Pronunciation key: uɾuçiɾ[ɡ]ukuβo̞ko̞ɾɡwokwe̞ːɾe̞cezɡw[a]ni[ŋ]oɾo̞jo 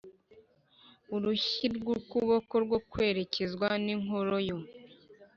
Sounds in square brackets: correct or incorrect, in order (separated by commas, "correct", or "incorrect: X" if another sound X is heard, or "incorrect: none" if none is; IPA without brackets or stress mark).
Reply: correct, correct, correct